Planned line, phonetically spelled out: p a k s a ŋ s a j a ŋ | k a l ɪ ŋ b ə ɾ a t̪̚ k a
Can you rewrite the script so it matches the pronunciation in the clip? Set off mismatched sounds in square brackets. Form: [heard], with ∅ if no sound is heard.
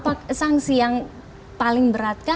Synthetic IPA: p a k s a ŋ s [i] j a ŋ | [p] a l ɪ ŋ b ə ɾ a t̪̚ k a